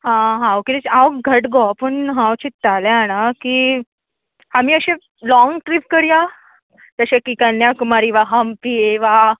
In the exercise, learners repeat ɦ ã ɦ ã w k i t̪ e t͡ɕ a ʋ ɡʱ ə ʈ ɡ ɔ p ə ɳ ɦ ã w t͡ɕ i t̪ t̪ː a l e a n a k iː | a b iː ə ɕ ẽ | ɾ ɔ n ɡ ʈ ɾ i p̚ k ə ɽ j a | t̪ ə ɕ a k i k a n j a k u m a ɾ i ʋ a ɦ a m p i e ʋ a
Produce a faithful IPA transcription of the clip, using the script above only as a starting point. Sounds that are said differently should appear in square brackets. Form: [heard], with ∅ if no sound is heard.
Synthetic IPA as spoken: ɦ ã ɦ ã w k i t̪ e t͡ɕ a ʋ ɡʱ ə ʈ ɡ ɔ p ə ɳ ɦ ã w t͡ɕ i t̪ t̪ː a l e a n a k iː | a [m] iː ə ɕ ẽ | [l] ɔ [ŋ] ɡ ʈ ɾ i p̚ k ə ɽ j a | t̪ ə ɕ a k i k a n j a k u m a ɾ i ʋ a ɦ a m p i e ʋ a